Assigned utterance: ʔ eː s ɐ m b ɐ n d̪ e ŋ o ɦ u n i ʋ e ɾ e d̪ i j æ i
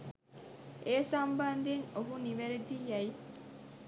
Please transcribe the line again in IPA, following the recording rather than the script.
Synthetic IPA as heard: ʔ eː s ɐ m b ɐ n d̪ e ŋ o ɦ u n i ʋ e ɾ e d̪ i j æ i